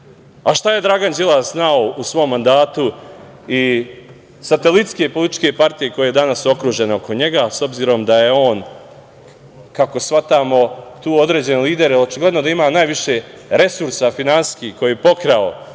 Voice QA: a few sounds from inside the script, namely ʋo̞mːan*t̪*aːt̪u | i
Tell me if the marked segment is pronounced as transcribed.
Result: no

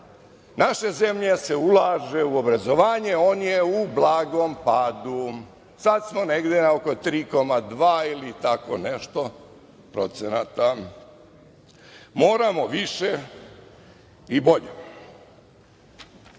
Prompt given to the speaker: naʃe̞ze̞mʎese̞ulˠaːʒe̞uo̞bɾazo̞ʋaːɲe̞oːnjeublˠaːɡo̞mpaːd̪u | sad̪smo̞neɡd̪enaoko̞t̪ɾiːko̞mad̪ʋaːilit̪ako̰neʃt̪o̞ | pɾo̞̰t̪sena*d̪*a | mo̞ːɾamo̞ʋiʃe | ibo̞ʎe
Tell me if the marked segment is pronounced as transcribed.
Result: no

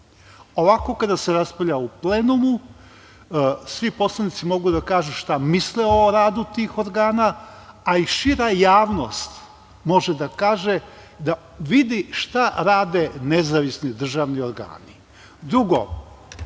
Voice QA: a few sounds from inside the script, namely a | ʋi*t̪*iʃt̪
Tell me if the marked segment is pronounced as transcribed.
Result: no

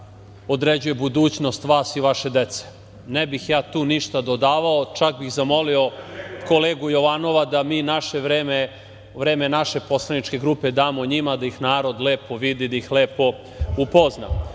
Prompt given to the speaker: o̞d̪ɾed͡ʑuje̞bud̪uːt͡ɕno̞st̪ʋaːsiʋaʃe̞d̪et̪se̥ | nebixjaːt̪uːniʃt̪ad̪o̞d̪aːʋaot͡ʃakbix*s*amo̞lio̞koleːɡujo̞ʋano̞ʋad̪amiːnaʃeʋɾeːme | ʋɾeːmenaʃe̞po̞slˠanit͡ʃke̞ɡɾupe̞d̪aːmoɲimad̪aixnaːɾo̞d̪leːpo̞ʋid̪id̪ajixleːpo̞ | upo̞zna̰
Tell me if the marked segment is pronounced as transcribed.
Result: no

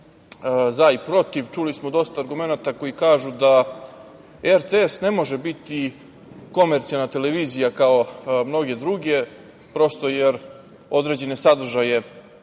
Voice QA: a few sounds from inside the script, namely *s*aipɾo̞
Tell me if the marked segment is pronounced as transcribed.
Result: no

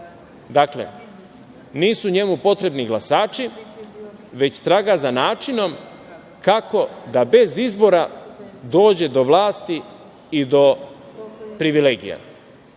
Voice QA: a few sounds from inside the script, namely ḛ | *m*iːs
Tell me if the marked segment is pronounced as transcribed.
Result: no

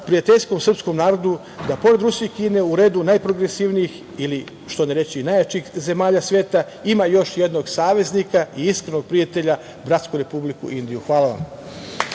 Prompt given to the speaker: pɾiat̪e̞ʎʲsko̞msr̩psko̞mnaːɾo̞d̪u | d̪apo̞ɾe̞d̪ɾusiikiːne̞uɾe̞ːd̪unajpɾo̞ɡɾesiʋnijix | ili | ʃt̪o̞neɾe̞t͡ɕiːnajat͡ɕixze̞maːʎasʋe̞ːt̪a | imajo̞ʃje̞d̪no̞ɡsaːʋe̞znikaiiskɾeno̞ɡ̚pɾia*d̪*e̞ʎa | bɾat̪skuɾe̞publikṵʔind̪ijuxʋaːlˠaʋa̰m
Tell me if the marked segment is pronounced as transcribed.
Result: no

